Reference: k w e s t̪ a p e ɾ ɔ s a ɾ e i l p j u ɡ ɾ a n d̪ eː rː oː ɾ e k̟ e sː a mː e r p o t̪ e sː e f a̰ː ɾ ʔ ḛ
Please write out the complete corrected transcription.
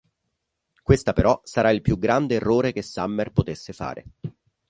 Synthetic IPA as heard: k w e s t̪ a p e ɾ ɔ s a ɾ a i l p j u ɡ ɾ a n d̪ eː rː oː ɾ e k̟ e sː a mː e r p o t̪ e sː e f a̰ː ɾ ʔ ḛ